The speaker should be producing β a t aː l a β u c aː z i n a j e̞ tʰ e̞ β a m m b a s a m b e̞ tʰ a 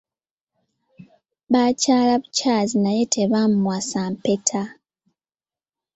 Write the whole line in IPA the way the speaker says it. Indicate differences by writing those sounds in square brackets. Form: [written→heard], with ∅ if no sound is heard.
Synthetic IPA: β a [t→c] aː l a β u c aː z i n a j e̞ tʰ e̞ β a m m [b→w] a s a m [b→p] e̞ tʰ a